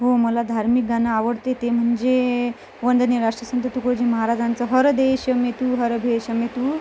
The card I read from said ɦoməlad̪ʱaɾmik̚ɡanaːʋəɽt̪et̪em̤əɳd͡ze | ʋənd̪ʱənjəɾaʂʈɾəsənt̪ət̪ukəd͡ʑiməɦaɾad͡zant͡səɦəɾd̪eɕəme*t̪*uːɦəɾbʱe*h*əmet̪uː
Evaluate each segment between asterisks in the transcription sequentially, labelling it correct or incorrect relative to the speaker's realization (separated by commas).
correct, incorrect